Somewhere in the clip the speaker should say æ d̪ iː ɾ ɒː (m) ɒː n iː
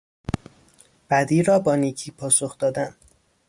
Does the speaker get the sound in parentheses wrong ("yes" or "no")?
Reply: yes